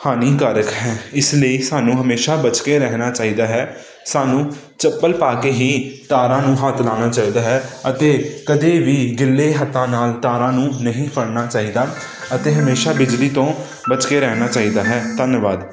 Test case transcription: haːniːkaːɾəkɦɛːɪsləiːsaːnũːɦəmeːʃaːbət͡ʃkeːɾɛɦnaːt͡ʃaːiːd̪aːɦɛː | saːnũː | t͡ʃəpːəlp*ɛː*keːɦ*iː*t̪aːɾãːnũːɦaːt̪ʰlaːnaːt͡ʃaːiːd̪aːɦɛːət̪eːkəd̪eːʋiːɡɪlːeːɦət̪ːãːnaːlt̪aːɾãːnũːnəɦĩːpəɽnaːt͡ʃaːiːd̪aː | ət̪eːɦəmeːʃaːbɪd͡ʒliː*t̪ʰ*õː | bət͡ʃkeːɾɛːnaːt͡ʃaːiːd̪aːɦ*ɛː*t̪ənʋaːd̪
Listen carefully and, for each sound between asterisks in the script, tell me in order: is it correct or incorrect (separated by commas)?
incorrect, correct, incorrect, correct